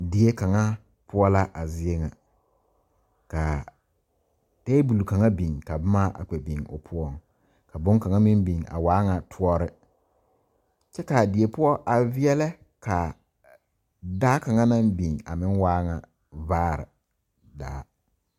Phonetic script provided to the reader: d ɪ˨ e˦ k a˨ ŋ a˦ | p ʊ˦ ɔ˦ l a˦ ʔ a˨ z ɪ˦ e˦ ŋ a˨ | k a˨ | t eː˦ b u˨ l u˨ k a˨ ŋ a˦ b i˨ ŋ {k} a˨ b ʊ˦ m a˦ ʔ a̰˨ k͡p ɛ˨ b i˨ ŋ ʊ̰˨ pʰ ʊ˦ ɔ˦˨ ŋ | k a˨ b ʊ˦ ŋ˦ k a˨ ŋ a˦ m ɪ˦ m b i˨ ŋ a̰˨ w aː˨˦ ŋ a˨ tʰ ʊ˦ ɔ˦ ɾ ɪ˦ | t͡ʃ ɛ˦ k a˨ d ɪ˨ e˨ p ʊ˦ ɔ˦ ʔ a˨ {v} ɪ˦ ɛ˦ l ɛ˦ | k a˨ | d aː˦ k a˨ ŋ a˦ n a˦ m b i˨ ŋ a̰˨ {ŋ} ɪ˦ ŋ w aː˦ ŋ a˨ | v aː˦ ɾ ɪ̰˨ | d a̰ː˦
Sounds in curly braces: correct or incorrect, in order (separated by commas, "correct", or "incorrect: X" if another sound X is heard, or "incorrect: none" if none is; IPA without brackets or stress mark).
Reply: correct, correct, incorrect: m